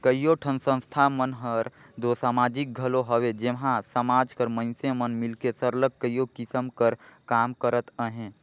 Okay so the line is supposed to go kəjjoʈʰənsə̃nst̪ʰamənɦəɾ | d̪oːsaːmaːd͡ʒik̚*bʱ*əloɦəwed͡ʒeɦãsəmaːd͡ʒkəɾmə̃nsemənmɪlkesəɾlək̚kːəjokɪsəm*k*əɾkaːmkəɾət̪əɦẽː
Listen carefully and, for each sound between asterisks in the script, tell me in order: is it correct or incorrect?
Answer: incorrect, correct

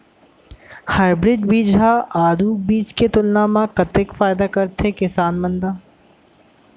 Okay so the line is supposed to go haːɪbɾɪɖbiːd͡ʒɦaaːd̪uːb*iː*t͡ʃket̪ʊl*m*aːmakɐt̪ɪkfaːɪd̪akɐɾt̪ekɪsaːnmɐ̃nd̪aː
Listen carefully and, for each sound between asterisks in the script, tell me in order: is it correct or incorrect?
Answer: correct, incorrect

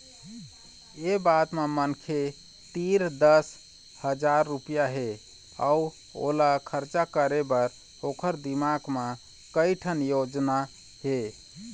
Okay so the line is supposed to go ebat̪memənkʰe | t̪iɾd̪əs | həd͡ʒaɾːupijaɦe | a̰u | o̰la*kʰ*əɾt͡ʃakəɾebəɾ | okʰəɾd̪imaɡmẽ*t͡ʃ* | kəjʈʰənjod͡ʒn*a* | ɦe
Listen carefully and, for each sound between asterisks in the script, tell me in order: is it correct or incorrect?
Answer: correct, incorrect, correct

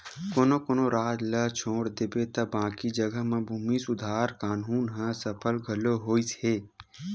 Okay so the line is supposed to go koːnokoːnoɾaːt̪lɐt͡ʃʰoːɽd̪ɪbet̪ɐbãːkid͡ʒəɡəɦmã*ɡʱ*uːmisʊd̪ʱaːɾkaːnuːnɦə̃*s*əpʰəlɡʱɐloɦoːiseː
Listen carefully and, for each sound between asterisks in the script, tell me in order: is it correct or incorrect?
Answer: incorrect, correct

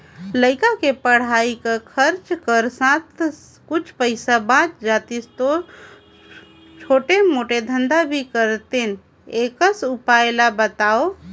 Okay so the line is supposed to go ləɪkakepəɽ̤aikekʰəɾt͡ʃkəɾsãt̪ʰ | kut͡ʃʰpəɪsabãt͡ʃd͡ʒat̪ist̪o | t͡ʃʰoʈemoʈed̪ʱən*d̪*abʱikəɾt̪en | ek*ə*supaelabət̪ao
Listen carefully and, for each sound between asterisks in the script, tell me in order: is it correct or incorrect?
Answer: correct, correct

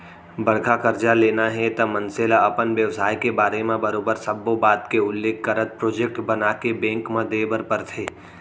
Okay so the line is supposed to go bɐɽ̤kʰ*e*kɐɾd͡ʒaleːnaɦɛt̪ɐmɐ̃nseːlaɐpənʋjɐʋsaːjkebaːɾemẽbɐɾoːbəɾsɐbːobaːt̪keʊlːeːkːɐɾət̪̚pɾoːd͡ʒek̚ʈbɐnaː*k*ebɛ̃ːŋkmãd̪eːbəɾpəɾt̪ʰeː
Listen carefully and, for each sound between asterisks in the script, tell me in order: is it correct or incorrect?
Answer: incorrect, correct

